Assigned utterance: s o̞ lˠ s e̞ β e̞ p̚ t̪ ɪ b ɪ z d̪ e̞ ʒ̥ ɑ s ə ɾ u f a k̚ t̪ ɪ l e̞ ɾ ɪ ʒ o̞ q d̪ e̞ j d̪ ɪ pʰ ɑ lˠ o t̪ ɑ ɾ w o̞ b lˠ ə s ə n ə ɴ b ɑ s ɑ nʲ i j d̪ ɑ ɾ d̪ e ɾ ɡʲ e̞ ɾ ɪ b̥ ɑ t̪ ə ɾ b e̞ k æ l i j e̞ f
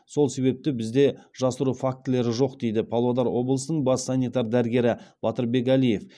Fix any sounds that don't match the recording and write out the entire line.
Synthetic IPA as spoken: s o̞ lˠ s e̞ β e̞ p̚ t̪ ɪ b ɪ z d̪ e̞ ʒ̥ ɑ s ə ɾ u f a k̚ t̪ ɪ l e̞ ɾ ɪ ʒ o̞ q d̪ e̞ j d̪ ɪ pʰ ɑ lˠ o d̪ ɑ ɾ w o̞ b lˠ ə s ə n ə ɴ b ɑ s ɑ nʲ i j t̪ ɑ ɾ d̪ æ ɾ ɡʲ e̞ ɾ ɪ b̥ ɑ t̪ ə ɾ b e̞ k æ l i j e̞ f